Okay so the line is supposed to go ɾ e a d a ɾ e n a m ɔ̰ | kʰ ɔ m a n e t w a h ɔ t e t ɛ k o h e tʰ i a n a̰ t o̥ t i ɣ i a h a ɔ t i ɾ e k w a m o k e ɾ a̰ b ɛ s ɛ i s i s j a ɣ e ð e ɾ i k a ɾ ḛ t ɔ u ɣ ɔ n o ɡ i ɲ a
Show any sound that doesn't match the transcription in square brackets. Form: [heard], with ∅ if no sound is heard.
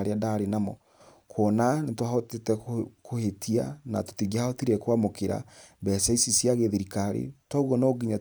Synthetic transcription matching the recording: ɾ e a d a ɾ e n a m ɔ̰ | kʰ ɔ [n] a n e t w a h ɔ t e t ɛ k o h e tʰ i a n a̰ t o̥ t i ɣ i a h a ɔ t i ɾ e k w a m o k e ɾ a̰ b ɛ s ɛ i s i s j a ɣ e ð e ɾ i k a ɾ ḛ t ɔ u ɣ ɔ n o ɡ i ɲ a